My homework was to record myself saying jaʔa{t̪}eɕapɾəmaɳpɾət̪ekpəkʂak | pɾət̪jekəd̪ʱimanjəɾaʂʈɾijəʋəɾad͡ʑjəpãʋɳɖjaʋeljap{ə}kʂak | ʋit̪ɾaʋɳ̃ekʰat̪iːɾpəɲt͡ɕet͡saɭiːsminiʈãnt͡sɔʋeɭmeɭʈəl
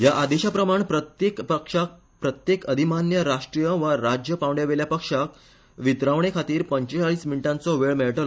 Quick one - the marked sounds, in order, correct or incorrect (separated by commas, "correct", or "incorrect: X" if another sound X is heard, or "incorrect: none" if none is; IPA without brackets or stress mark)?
incorrect: d̪, correct